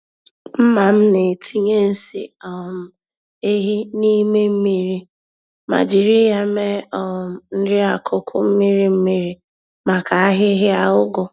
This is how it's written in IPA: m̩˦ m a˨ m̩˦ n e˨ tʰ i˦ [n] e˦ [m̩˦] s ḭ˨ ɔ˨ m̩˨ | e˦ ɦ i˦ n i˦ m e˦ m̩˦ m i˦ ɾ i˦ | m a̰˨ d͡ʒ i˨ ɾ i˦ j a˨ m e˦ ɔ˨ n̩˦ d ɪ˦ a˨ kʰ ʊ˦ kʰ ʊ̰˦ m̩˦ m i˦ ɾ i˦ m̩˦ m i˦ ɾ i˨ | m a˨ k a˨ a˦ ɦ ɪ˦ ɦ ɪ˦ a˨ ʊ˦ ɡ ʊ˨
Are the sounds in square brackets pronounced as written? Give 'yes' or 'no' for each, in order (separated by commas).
no, no